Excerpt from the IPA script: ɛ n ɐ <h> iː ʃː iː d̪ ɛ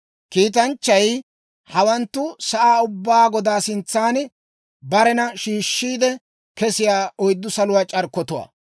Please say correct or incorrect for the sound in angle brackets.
incorrect